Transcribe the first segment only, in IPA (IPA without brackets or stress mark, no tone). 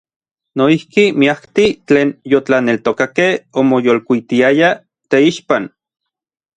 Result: n